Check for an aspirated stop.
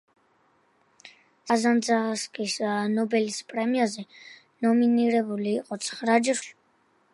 absent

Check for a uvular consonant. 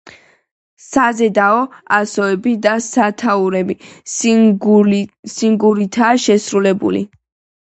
absent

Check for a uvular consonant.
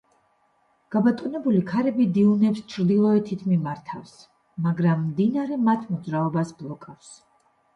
absent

